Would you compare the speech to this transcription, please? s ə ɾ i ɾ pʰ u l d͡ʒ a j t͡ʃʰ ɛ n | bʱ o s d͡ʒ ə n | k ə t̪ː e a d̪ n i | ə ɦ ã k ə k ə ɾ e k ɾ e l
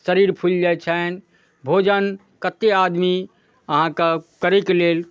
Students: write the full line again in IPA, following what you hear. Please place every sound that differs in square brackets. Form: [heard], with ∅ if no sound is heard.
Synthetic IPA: s ə ɾ i ɾ pʰ u l d͡ʒ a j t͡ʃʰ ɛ n | bʱ o [∅] d͡ʒ ə n | k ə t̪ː e a d̪ [m] i | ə ɦ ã k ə k ə ɾ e k [l] e l

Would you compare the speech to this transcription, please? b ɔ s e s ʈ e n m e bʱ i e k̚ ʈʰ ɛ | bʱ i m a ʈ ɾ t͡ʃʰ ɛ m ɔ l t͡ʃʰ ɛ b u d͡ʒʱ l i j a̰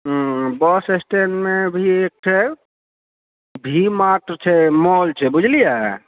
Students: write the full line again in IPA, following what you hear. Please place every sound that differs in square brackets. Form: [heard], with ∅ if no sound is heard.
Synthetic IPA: b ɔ s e s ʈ e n m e bʱ i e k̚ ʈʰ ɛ | bʱ i m a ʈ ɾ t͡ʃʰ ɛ m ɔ l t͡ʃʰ ɛ b u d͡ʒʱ l i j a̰

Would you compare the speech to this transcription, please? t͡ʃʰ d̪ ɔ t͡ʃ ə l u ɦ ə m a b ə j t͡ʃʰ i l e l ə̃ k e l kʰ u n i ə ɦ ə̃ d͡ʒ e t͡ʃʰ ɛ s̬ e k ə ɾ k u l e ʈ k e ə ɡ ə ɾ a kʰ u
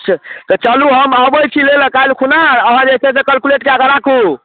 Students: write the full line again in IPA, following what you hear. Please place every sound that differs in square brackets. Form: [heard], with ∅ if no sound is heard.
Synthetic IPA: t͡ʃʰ [t̪] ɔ t͡ʃ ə l u ɦ ə m a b ə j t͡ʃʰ i l e l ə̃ k [a] l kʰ u n [a] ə ɦ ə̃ d͡ʒ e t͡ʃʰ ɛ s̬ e k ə [l] k u l e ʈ k e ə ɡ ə ɾ a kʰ u

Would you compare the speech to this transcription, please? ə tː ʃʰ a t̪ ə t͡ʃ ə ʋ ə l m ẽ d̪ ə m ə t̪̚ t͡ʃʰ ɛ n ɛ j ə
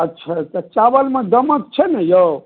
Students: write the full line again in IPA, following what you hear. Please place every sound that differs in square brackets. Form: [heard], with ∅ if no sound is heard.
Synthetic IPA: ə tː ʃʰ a t̪ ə t͡ʃ [a] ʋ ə l m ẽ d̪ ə m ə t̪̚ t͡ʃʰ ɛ n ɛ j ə

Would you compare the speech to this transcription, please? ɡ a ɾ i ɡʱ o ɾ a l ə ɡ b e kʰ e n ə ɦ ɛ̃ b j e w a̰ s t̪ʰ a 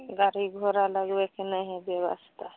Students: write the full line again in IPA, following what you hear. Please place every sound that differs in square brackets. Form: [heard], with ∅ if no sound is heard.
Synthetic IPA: ɡ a ɾ i ɡʱ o ɾ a l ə ɡ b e [k] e n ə ɦ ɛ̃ b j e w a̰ s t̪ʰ a

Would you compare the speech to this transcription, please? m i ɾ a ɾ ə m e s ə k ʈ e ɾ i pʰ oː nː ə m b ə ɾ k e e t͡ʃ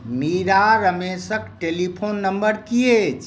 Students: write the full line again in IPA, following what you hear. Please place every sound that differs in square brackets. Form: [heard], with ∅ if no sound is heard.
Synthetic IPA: m i ɾ a ɾ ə m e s ə k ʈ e [l] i pʰ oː nː ə m b ə ɾ k [i] e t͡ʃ

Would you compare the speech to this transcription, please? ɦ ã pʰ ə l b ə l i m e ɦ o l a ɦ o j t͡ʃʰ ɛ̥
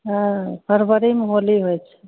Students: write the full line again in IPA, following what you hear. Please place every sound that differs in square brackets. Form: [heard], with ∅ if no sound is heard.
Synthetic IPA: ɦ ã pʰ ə [ɾ] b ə [ɾ] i m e ɦ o l [i] ɦ o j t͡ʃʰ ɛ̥

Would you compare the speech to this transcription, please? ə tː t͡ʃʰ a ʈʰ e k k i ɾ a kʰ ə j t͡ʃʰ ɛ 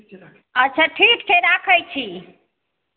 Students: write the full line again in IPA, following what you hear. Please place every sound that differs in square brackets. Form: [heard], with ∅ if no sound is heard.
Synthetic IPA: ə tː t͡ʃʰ a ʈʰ [i] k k [e] ɾ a kʰ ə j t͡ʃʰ [i]

